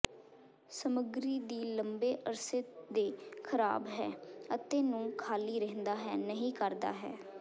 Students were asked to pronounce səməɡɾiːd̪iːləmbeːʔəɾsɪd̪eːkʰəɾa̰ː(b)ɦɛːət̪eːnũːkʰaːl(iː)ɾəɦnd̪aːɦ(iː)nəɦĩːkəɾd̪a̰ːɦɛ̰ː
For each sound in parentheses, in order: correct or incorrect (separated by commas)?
correct, correct, incorrect